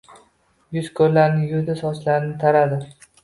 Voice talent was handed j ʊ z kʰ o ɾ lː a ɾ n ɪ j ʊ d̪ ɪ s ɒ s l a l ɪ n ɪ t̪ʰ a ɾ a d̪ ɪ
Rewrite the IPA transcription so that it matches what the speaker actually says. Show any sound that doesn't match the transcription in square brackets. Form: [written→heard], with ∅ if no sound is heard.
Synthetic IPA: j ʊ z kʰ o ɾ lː a ɾ n ɪ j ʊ d̪ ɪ s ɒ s l a [l→ɾ] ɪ n ɪ t̪ʰ a ɾ a d̪ ɪ